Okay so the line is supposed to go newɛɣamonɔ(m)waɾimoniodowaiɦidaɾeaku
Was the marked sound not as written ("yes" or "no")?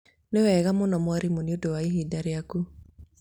no